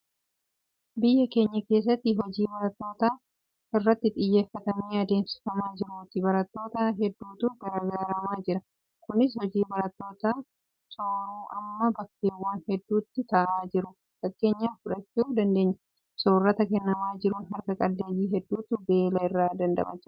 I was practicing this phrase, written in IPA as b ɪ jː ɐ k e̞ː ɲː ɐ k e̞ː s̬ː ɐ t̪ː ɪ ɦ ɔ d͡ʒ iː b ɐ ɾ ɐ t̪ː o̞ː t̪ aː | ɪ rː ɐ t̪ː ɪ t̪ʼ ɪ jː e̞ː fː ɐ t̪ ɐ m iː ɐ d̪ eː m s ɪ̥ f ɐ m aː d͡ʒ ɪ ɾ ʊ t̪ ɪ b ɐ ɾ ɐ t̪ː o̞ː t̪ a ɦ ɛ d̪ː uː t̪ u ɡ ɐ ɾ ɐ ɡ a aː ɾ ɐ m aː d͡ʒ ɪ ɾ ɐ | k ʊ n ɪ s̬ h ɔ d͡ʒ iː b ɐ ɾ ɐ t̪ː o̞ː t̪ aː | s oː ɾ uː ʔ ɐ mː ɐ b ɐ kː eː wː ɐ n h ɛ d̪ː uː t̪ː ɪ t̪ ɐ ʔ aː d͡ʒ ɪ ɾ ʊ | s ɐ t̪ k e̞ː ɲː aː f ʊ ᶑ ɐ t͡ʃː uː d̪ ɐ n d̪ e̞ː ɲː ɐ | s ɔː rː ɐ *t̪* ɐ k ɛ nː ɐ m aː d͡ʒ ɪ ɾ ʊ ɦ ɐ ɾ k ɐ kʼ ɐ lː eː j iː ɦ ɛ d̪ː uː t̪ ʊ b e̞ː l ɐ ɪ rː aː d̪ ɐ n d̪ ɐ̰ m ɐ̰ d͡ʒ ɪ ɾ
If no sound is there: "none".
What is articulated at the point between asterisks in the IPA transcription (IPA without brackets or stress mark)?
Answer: t̪